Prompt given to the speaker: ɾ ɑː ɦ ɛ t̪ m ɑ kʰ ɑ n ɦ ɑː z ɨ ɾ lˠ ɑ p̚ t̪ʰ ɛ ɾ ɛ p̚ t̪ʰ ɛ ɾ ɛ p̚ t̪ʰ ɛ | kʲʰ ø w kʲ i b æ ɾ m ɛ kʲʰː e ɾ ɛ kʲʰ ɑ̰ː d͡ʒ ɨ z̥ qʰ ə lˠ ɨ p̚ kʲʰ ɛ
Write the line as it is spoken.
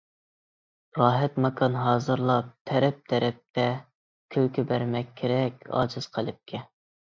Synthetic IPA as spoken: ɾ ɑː ɦ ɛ t̪ m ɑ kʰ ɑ n ɦ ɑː z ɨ ɾ lˠ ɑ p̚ t̪ʰ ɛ ɾ ɛ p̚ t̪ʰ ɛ ɾ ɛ p̚ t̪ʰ ɛ | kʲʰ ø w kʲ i b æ ɾ m ɛ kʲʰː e ɾ ɛ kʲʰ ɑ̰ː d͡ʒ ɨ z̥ qʰ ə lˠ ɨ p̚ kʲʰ ɛ

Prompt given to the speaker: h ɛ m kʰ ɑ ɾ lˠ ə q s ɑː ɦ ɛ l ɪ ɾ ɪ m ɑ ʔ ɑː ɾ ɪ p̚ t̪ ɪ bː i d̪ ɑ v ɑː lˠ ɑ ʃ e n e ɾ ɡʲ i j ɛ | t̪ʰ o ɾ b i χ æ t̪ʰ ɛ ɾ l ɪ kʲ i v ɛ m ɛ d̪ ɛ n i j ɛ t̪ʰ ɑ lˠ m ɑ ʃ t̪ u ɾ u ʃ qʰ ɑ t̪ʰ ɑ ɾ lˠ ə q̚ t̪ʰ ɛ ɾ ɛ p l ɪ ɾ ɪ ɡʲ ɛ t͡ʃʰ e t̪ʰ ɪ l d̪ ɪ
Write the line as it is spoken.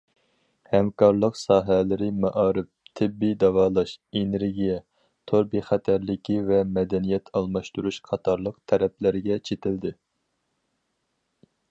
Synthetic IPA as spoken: h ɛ m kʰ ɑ ɾ lˠ ə q s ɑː ɦ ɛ l ɪ ɾ ɪ m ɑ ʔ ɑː ɾ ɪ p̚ t̪ʰ ɪ bː i d̪ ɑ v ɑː lˠ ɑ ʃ e n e ɾ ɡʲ i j ɛ | t̪ʰ o ɾ b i χ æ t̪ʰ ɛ ɾ l ɪ kʲ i v ɛ m ɛ d̪ ɛ n i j ɛ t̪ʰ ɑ lˠ m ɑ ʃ t̪ u ɾ u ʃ qʰ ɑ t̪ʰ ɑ ɾ lˠ ə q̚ t̪ʰ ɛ ɾ ɛ p l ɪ ɾ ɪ ɡʲ ɛ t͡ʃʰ e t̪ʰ ɪ l d̪ ɪ

